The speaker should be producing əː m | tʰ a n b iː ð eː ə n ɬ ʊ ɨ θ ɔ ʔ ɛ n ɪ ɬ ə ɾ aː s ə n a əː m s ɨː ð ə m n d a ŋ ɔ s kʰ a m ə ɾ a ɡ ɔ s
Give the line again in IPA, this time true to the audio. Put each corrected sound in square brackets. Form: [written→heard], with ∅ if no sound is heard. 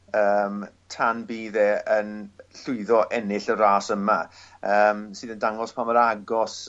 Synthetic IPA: əː m | tʰ a n b iː ð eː ə n ɬ ʊ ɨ [θ→ð] ɔ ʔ ɛ n ɪ ɬ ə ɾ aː s ə [n→m] a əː m s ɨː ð ə [m→∅] n d a ŋ ɔ s [kʰ→pʰ] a m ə ɾ a ɡ ɔ s